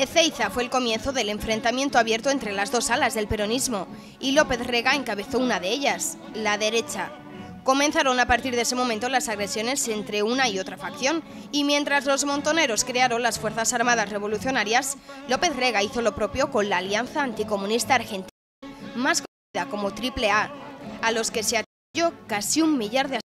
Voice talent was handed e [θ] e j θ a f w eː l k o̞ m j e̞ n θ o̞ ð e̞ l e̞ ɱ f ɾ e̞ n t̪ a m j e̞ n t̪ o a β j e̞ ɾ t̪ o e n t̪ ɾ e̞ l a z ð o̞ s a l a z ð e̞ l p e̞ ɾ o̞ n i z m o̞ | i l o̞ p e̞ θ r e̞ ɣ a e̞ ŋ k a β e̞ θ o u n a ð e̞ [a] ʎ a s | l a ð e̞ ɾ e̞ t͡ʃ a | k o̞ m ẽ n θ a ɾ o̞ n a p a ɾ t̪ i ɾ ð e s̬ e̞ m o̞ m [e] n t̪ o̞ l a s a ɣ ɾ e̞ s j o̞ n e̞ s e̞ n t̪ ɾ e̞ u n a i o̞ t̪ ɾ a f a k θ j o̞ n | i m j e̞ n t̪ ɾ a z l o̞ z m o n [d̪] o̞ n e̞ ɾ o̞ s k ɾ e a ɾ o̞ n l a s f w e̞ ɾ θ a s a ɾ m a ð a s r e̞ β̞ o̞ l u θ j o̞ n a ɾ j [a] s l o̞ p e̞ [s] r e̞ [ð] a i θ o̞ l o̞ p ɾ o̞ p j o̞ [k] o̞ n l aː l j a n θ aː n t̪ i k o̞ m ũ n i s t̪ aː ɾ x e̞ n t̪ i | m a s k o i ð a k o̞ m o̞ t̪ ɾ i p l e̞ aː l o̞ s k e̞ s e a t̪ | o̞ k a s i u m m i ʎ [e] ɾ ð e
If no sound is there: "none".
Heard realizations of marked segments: θ, e, ẽ, t̪, a, θ, ɣ, k, a

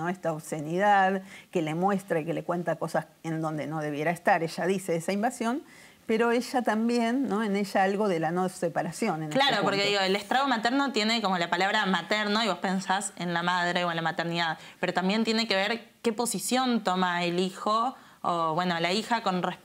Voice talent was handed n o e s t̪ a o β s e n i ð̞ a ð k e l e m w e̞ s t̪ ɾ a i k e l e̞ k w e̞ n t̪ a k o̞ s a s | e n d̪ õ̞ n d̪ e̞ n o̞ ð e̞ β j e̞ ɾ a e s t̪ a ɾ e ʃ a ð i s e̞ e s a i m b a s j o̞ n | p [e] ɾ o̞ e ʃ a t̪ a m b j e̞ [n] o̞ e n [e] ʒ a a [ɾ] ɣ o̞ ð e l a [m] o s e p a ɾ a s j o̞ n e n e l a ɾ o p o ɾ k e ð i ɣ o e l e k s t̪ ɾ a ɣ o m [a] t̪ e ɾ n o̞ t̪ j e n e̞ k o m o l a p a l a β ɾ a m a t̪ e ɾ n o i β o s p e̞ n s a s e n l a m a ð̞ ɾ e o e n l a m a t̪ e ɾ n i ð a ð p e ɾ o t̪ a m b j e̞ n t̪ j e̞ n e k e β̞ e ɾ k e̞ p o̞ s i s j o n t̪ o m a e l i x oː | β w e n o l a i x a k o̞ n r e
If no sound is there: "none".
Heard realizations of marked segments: e, nː, e, l, n, a

